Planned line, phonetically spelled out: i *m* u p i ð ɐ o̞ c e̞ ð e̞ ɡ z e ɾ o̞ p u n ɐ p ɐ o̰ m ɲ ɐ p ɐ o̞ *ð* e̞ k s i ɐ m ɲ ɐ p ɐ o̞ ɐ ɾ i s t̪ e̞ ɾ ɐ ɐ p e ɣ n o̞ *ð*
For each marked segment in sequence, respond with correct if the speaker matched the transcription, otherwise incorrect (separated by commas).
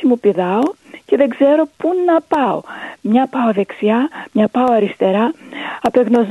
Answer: correct, correct, incorrect